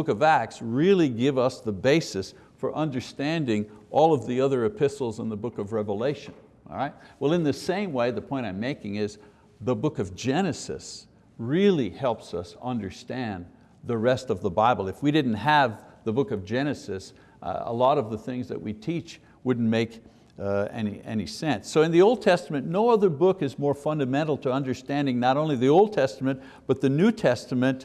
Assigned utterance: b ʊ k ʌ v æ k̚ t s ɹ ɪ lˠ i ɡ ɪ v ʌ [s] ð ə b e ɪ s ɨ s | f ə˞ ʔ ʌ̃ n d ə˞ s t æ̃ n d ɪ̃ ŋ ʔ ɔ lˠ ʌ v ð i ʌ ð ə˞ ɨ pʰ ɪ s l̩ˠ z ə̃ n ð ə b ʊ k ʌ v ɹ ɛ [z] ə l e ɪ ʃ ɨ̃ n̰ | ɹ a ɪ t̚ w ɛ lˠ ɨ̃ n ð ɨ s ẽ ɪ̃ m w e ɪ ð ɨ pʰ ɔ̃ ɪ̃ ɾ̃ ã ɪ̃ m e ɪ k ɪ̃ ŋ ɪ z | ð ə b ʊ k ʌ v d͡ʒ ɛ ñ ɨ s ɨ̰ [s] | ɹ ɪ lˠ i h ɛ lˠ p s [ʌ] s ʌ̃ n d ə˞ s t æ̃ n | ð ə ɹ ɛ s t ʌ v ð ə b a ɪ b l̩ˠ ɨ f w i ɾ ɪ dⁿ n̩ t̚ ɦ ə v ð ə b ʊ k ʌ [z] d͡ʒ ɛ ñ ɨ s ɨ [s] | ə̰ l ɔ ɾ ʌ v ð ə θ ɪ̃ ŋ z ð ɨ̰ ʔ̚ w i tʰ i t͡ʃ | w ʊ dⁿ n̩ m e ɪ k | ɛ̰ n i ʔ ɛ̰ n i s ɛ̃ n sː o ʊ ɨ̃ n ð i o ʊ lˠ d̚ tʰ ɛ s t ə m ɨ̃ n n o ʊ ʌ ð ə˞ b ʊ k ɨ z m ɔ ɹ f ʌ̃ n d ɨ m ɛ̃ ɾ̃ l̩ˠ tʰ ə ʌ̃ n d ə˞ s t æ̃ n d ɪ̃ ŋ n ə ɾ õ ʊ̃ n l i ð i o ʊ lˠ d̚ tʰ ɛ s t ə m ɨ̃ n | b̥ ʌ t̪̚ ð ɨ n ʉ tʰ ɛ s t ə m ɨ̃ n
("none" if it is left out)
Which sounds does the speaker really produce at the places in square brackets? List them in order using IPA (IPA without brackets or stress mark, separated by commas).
s, v, s, ʌ, v, s